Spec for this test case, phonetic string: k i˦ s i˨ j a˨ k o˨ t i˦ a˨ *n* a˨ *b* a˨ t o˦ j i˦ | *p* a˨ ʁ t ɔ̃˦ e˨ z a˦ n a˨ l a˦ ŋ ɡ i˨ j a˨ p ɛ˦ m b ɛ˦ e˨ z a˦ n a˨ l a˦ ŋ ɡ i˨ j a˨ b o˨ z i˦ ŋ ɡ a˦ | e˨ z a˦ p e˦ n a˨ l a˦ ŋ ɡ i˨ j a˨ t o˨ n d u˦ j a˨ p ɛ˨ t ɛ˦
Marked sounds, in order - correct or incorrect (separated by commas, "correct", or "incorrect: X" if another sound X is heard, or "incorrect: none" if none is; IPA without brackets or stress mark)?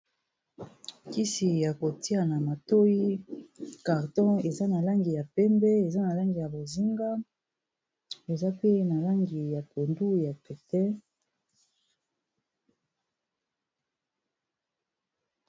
correct, incorrect: m, incorrect: k